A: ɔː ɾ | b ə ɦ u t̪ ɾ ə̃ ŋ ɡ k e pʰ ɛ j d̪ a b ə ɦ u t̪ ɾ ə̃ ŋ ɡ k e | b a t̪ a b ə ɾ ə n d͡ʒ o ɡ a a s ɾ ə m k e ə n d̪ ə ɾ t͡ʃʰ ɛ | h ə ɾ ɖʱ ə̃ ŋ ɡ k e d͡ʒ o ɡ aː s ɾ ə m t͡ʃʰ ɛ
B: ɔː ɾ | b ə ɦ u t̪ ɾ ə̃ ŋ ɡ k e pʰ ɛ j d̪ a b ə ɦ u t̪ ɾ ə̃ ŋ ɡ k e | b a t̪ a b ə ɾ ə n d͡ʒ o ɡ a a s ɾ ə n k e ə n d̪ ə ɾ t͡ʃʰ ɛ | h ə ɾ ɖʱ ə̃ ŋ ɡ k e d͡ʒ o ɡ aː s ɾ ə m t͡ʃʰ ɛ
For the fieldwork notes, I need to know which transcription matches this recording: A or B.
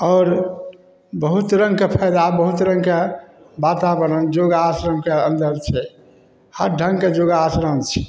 A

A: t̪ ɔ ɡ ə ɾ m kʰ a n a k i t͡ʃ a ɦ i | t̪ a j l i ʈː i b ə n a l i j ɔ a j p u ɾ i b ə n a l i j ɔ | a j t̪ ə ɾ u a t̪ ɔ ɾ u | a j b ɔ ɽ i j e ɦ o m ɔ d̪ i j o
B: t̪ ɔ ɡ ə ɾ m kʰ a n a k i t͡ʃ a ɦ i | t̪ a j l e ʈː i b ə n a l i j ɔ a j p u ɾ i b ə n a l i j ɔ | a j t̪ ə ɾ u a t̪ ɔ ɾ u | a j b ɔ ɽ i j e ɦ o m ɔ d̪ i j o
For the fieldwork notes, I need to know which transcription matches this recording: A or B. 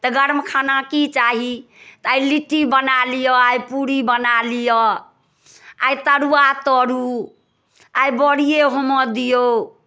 A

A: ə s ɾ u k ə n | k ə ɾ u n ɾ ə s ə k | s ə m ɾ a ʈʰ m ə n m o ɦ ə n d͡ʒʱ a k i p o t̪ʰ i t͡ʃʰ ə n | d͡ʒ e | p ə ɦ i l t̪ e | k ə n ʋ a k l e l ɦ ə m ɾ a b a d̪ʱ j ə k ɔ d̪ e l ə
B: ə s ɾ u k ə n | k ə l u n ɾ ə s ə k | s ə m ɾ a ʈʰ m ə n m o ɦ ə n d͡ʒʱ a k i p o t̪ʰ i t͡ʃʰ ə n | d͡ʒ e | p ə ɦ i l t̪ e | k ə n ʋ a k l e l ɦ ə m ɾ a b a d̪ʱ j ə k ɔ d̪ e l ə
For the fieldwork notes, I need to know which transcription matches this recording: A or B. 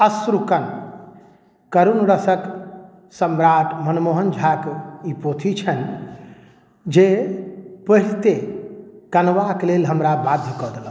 A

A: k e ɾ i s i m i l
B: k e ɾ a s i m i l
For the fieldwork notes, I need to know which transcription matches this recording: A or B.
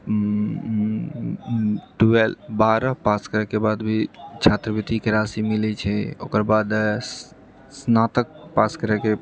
B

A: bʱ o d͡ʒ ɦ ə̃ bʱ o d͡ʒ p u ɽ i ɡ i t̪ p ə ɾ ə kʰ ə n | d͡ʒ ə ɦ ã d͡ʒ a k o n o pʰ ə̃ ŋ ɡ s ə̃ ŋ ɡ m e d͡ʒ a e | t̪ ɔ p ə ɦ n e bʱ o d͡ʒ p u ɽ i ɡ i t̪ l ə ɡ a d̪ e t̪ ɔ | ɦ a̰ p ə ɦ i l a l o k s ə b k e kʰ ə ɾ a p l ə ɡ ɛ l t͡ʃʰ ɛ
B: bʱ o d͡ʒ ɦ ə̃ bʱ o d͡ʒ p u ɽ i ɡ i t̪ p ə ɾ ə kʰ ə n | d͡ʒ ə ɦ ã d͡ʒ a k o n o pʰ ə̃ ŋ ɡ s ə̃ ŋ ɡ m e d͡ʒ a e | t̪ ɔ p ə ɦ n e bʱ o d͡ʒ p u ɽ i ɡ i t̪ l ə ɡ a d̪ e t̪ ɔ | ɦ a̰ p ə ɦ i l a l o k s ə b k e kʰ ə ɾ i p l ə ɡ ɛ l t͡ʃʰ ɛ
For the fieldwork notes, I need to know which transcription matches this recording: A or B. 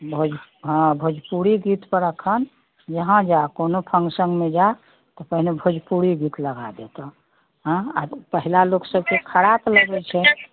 A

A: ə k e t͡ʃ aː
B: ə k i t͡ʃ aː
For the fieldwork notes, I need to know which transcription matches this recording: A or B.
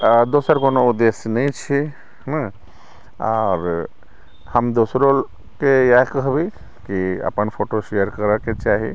A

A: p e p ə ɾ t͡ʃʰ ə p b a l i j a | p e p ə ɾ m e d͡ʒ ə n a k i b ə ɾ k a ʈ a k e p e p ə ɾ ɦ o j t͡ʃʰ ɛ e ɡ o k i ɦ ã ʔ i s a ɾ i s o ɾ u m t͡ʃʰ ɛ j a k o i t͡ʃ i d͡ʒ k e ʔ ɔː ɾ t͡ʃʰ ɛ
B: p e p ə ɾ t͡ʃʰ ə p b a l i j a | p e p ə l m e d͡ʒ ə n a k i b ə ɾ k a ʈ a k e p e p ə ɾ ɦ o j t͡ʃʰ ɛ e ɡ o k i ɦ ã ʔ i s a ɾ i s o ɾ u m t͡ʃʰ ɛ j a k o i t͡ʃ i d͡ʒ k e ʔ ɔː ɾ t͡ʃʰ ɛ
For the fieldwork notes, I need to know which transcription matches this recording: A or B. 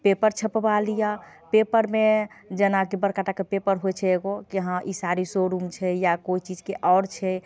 A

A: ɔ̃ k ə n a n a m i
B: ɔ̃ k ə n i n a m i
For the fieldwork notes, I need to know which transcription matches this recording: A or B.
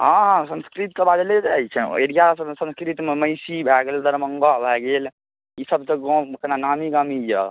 A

